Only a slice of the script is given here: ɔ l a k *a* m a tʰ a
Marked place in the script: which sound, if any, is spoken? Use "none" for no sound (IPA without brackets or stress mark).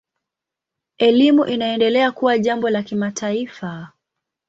i